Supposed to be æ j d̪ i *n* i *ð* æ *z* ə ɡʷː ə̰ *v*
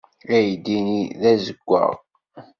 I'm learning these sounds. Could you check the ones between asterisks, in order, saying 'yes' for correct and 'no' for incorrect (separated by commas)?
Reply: yes, yes, yes, no